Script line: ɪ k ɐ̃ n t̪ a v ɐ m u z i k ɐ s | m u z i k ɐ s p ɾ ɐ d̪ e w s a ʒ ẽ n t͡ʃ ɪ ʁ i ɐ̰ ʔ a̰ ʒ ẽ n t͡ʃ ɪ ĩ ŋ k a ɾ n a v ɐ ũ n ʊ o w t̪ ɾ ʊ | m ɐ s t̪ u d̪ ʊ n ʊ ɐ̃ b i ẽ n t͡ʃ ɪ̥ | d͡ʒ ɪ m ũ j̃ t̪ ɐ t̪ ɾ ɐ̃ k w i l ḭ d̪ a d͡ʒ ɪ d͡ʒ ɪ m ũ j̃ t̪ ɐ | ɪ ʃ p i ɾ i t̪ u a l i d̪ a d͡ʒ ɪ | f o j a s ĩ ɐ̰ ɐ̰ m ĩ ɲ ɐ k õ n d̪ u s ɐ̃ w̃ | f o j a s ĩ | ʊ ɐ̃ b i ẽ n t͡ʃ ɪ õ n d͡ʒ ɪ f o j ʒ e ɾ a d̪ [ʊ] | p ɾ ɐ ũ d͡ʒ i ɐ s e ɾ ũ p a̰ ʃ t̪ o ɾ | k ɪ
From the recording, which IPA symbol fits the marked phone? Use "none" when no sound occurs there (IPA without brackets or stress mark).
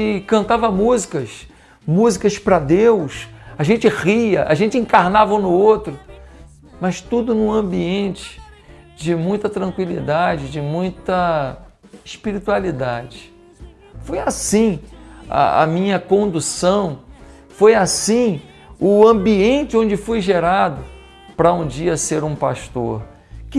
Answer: ʊ